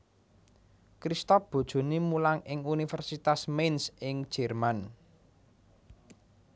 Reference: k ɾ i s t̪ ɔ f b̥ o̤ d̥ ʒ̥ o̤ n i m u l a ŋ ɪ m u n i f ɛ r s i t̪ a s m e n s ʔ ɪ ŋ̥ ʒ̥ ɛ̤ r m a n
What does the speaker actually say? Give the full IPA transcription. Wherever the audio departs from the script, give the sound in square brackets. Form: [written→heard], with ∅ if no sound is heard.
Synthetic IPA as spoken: k ɾ i s t̪ ɔ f b̥ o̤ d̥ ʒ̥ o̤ n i m u l a ŋ ɪ [m→ŋ] u n i f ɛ r s i t̪ a s m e n s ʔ ɪ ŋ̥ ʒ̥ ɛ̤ r m a n